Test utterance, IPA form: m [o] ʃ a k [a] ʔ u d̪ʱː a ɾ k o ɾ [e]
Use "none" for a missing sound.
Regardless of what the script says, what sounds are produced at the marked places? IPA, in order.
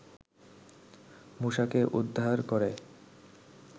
u, e, e

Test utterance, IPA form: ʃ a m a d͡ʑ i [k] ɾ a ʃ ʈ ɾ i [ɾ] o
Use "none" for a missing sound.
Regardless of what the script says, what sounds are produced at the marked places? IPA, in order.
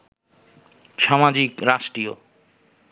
k, none

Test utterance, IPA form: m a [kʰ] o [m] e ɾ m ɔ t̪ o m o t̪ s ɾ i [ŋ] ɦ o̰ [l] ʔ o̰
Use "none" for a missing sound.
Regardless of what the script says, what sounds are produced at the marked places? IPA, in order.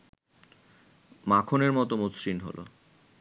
kʰ, n, n, l

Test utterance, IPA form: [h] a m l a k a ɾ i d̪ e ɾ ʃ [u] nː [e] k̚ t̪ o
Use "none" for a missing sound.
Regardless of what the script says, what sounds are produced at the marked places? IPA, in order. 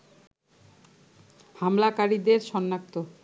h, ɔ, a

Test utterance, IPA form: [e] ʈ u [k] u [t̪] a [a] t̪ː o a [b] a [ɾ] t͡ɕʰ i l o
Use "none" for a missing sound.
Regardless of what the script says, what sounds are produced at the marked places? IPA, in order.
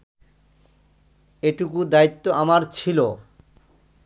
e, k, d̪, i, m, ɾ

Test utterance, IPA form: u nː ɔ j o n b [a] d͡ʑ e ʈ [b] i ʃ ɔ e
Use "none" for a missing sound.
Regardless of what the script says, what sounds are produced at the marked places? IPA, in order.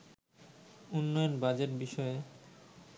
a, b

